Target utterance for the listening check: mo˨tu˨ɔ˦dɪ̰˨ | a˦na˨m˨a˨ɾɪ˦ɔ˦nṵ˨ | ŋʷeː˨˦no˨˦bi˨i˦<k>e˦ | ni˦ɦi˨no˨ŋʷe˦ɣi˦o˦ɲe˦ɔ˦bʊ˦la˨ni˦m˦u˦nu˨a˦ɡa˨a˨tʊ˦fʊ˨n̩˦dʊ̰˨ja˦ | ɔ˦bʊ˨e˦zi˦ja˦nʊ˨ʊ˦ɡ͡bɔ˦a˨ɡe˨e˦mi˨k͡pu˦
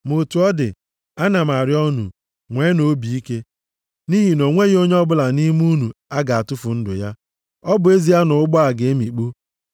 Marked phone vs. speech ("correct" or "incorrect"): correct